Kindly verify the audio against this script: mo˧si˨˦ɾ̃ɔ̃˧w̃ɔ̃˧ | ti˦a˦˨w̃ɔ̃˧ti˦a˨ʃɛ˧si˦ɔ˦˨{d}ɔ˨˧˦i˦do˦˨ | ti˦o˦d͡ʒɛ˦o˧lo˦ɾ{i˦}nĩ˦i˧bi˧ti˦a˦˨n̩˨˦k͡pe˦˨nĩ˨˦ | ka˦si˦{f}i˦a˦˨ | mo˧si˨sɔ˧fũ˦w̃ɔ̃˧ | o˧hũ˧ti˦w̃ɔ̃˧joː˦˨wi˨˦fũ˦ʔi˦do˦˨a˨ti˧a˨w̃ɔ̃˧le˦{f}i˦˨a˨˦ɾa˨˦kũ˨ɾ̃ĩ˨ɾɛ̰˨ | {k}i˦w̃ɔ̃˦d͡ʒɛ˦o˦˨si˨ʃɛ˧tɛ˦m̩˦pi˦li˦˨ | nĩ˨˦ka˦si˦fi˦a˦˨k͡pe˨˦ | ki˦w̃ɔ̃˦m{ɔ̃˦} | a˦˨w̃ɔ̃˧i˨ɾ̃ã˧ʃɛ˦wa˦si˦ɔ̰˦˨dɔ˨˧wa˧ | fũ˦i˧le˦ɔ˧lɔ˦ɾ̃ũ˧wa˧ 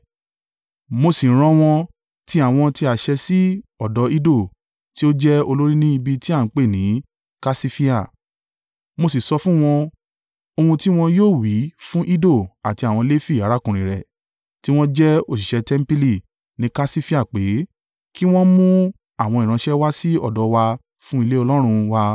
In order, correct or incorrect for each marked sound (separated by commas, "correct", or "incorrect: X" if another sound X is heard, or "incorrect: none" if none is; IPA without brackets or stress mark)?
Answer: correct, correct, correct, correct, incorrect: t, incorrect: ũ˦